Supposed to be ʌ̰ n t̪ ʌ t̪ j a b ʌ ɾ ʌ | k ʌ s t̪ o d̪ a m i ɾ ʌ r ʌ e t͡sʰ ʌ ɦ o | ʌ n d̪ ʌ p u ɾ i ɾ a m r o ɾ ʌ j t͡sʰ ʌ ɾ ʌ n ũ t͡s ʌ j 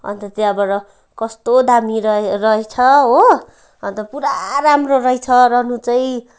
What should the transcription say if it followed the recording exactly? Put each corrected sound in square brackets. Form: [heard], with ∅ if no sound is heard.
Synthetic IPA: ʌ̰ n t̪ ʌ t̪ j a b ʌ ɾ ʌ | k ʌ s t̪ o d̪ a m i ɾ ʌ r ʌ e t͡sʰ ʌ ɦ o | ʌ n [t̪] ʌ p u ɾ [a] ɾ a m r o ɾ ʌ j t͡sʰ ʌ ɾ ʌ n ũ t͡s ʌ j

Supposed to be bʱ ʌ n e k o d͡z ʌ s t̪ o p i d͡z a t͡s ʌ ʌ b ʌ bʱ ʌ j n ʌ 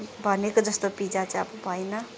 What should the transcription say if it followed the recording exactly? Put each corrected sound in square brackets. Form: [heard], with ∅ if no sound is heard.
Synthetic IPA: bʱ ʌ n e k o d͡z ʌ s t̪ o p i d͡z a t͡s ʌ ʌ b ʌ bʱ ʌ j n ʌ

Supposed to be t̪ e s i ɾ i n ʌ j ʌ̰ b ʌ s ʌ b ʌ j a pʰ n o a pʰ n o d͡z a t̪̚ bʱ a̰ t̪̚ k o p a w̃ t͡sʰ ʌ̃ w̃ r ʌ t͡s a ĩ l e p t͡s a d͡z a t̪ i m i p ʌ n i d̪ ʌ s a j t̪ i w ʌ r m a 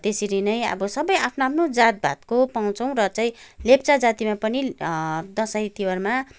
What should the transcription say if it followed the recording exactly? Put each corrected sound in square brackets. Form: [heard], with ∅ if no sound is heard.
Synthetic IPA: t̪ e s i ɾ i n ʌ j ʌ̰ b ʌ s ʌ b ʌ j a pʰ n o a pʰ n o d͡z a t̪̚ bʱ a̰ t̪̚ k o p a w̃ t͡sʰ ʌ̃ w̃ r ʌ t͡s a ĩ l e p t͡s a d͡z a t̪ i m [a] p ʌ n i d̪ ʌ s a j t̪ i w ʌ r m a

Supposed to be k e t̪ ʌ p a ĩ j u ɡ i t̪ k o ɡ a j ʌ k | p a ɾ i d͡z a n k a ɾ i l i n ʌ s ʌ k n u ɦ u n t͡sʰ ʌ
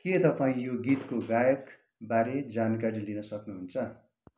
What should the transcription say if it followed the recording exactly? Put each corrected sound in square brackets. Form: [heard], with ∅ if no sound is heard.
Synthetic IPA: k e t̪ ʌ p a ĩ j [o] ɡ i t̪ k o ɡ a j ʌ k | [b] a ɾ [e] d͡z a n k a ɾ i l i n ʌ s ʌ k n u ɦ u n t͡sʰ ʌ

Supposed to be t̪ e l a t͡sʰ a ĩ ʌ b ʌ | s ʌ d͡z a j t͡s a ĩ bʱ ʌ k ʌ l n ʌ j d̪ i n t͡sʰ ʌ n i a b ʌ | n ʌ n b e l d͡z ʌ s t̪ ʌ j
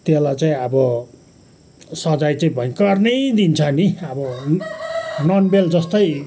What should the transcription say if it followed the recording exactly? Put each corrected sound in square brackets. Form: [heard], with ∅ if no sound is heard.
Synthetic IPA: t̪ e l a [t͡s] a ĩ ʌ b ʌ | s ʌ d͡z a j t͡s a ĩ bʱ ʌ k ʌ [r] n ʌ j d̪ i n t͡sʰ ʌ n i [ʌ] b ʌ | n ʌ n b e l d͡z ʌ s t̪ ʌ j

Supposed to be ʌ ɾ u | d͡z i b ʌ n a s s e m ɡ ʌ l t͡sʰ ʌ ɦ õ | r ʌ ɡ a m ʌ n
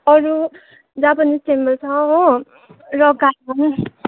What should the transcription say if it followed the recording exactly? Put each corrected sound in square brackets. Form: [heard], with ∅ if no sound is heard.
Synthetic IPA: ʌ ɾ u | d͡z [a] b ʌ n [i] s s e m [b] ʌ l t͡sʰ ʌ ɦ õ | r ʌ ɡ a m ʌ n

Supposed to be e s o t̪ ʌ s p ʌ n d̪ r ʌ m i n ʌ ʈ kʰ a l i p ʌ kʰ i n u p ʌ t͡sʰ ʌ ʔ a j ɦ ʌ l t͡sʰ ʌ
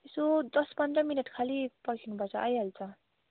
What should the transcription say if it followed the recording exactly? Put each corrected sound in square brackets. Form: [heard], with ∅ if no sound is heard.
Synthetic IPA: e s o [d̪] ʌ s p ʌ n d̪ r ʌ m i n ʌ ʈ kʰ a l i p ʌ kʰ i n u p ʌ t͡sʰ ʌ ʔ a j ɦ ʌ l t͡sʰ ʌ

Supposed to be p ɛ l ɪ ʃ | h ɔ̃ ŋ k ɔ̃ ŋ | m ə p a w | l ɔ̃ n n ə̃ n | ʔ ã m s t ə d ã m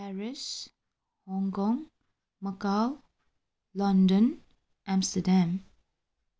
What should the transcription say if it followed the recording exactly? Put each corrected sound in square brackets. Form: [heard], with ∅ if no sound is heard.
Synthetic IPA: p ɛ [ɹ] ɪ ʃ | h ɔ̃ ŋ k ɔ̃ ŋ | m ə [k] a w | l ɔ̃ n [d] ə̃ n | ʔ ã m s t ə d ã m

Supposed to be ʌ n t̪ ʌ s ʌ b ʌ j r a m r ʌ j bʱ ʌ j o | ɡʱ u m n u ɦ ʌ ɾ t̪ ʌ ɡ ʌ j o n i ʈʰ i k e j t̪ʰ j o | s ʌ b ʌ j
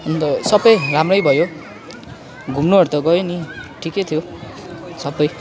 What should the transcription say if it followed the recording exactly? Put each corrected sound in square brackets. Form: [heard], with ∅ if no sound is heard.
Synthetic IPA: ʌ n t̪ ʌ s ʌ b ʌ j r a m r ʌ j bʱ ʌ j o | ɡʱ u m n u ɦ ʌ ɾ t̪ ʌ ɡ ʌ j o n i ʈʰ i k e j t̪ʰ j o | s ʌ b ʌ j

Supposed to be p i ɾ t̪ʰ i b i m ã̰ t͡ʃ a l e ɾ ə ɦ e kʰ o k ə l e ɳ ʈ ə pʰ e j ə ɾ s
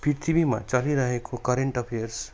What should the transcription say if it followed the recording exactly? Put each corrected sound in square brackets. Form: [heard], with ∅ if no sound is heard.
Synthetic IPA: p i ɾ t̪ʰ i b i m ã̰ t͡ʃ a l [i] ɾ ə ɦ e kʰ o k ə [ɾ] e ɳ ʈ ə pʰ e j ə ɾ s

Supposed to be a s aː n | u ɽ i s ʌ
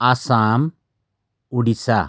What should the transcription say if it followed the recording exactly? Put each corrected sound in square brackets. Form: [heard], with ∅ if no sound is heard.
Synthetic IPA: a s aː [m] | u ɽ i s [a]

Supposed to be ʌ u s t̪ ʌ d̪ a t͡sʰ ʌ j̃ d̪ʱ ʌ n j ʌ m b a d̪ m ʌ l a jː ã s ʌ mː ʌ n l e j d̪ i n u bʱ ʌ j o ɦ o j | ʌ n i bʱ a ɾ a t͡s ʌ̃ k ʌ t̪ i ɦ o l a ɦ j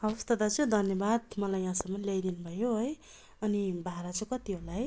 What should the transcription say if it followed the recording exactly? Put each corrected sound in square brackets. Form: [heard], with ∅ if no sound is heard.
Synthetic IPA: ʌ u s t̪ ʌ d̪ a [t͡s] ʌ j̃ d̪ʱ ʌ n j ʌ [∅] b a d̪ m ʌ l a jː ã s ʌ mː ʌ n l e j d̪ i n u bʱ ʌ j o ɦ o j | ʌ n i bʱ a ɾ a t͡s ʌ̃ k ʌ t̪ i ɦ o l a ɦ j

